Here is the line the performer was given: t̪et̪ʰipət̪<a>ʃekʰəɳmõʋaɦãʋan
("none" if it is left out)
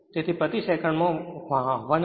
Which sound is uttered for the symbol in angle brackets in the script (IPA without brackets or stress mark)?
i